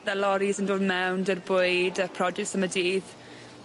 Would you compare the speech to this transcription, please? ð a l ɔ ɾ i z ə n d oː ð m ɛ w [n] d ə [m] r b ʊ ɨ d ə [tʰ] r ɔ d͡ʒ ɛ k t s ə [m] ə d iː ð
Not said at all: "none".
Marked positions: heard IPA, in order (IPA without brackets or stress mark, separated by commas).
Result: n, none, pʰ, m